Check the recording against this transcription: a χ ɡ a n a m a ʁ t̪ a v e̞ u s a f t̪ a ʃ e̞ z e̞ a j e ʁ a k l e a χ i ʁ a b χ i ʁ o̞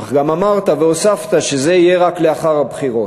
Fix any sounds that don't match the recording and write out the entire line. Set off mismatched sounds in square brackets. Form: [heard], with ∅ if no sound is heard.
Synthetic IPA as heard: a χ ɡ a [m] a m a ʁ t̪ a v e̞ [o] s a f t̪ a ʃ e̞ z e̞ [i] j e ʁ a k l e a χ [a] ʁ a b χ i ʁ o̞